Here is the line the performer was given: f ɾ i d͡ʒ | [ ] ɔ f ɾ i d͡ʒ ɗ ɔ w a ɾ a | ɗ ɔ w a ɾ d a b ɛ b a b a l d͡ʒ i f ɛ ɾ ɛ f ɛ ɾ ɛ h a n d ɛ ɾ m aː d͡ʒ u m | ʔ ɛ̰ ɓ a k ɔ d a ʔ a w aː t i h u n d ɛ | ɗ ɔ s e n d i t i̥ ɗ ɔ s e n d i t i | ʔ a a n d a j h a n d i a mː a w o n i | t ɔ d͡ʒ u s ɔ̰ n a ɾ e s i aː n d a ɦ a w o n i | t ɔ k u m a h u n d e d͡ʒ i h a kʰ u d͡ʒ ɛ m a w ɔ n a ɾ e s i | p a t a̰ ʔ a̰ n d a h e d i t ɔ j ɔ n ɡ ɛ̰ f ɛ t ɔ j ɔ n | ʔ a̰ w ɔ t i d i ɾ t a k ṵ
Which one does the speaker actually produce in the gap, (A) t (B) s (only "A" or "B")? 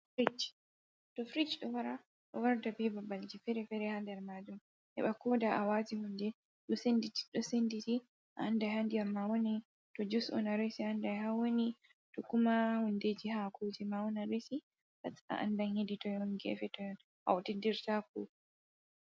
A